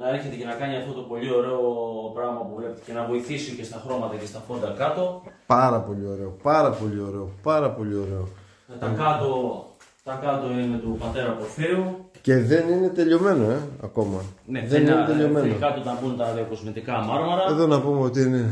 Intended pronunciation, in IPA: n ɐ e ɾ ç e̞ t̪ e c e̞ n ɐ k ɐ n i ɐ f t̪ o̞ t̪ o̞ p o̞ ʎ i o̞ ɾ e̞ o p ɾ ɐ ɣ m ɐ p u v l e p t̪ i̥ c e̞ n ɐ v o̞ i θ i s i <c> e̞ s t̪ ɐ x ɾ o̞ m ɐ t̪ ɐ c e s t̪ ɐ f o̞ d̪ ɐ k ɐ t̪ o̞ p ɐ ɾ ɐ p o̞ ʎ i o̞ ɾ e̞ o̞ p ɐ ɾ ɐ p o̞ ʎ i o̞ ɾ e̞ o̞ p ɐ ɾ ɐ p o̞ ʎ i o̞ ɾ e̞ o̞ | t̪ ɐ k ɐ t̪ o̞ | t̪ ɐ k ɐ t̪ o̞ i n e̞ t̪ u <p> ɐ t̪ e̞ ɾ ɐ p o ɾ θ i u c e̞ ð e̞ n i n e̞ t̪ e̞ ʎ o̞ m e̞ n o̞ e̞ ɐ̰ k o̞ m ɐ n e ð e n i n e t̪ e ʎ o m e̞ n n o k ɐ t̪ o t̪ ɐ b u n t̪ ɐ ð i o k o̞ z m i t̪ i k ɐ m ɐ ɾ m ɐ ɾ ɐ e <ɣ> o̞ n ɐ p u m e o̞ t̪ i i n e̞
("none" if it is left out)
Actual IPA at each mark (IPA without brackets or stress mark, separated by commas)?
c, p, ð